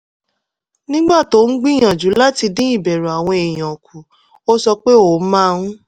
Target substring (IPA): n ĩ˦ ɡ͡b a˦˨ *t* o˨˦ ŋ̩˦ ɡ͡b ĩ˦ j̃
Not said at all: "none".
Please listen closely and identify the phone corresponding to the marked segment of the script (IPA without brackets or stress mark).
t